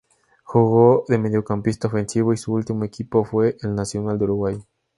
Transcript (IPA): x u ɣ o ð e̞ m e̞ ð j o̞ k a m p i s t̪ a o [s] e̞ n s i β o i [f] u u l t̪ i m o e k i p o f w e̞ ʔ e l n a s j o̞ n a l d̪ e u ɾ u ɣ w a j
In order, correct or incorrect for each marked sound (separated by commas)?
incorrect, incorrect